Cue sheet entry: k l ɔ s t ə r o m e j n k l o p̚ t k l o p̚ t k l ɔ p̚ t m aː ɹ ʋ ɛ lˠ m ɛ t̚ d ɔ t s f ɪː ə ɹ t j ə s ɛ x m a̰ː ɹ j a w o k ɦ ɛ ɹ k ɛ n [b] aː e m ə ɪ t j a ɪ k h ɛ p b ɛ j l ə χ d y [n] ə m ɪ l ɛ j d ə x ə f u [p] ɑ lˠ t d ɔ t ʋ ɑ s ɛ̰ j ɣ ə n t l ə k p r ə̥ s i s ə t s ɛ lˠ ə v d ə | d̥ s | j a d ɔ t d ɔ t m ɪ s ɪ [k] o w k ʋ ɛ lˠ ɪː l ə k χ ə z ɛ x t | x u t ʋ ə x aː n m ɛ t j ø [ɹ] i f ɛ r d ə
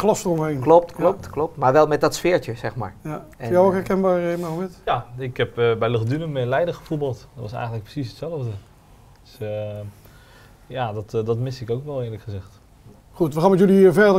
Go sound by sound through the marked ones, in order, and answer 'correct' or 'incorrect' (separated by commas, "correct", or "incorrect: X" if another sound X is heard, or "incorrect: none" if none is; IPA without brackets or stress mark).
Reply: correct, correct, incorrect: b, correct, incorrect: l